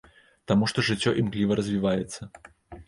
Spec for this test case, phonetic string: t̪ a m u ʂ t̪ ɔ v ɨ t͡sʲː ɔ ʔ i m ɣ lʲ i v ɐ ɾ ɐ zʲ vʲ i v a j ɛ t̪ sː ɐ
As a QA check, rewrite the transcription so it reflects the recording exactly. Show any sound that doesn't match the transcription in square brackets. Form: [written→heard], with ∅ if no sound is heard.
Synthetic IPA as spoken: t̪ a m u ʂ t̪ ɔ [v→ʐ] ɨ t͡sʲː ɔ ʔ i m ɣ lʲ i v ɐ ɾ ɐ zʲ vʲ i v a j ɛ t̪ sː ɐ